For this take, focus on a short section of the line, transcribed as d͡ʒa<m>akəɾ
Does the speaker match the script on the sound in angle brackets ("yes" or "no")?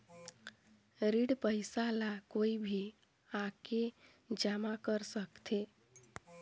yes